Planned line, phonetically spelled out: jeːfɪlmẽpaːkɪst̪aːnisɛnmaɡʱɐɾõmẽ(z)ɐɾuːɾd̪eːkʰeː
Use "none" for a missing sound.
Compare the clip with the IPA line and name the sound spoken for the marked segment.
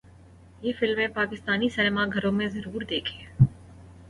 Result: z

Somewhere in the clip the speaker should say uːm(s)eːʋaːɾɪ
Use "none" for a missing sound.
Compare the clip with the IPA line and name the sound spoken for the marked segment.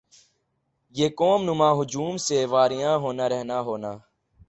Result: s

